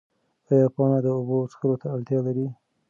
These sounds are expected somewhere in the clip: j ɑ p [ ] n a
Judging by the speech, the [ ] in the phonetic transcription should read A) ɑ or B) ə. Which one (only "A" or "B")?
A